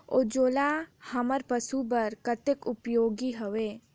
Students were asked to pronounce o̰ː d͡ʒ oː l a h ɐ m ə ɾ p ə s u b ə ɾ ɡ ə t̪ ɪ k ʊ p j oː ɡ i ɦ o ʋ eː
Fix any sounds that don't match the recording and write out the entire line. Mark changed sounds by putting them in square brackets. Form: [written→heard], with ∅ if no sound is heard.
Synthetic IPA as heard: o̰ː d͡ʒ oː l a h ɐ m ə ɾ p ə s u b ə ɾ [ɡ→k] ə t̪ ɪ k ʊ p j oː ɡ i ɦ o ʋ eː